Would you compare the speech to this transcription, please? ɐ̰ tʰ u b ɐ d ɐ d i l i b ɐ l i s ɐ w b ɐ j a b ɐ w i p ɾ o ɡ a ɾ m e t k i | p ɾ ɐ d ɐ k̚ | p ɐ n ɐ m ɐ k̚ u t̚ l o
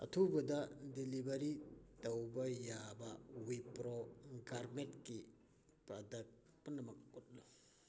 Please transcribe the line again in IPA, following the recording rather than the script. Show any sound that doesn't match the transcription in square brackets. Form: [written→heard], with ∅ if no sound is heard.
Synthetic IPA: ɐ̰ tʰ u b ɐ d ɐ d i l i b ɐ [l→ɾ] i [s→t] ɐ w b ɐ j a b ɐ w i p ɾ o ɡ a ɾ m e t k i | p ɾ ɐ d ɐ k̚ | p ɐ n ɐ m ɐ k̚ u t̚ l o